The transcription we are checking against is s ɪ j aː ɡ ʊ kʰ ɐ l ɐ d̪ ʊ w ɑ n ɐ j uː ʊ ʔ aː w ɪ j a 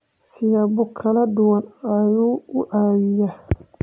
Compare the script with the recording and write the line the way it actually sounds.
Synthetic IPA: s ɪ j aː b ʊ kʰ ɐ l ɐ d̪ ʊ w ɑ n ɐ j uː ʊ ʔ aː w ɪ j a